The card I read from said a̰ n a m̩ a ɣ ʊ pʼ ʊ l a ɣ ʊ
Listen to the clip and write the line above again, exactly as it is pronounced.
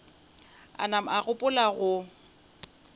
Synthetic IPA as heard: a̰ n a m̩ a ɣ ʊ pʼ ʊ l a ɣ ʊ